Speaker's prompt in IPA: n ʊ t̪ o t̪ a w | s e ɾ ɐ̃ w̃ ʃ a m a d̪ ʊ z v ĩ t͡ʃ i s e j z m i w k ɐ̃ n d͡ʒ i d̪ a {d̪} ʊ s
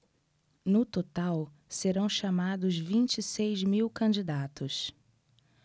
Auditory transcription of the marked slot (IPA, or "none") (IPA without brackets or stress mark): t̪